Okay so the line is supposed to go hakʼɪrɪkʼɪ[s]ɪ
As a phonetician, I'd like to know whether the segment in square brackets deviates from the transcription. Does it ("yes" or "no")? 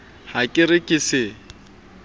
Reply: no